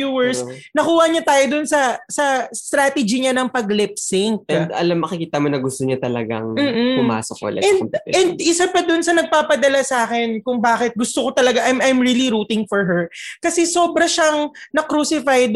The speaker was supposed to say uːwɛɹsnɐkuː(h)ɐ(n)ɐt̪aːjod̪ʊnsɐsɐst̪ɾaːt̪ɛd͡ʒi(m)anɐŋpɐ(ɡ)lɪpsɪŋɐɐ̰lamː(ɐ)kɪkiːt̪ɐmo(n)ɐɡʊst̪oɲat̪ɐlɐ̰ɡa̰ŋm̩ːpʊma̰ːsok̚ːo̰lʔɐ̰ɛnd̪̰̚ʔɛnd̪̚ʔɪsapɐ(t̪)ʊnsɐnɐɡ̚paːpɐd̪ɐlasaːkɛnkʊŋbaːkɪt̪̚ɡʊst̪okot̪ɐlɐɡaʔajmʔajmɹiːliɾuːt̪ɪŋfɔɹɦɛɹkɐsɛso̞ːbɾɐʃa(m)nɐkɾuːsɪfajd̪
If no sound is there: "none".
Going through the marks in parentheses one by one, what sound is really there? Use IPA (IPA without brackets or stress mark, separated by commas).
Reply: h, ɲ, ɲ, ɡ, ɐ, n, d̪, ŋ